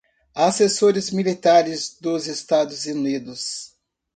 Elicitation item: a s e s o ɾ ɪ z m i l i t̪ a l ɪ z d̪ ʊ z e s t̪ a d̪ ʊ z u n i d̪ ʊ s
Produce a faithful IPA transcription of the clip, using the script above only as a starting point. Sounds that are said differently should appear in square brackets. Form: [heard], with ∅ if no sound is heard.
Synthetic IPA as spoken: a s e s o ɾ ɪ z m i l i t̪ a [ɾ] ɪ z d̪ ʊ z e s t̪ a d̪ ʊ z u n i d̪ ʊ s